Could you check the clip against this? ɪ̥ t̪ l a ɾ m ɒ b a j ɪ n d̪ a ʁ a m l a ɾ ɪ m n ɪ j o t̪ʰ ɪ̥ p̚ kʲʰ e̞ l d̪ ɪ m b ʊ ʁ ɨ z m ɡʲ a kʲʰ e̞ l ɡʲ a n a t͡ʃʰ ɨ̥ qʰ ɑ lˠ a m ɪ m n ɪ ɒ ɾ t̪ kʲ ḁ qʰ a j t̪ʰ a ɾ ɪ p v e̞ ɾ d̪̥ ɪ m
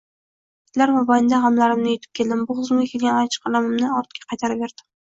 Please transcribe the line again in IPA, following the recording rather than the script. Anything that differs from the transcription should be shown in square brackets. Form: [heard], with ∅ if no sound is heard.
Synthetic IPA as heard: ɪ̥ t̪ l a ɾ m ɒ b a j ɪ n d̪ a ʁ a m l a ɾ ɪ m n ɪ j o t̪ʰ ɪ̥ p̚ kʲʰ e̞ l d̪ ɪ m b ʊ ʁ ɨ z m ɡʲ a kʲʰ e̞ l ɡʲ a n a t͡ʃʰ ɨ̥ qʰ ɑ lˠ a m ɪ m n ɪ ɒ ɾ t̪ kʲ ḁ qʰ [ɑ] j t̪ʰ a ɾ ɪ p v e̞ ɾ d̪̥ ɪ m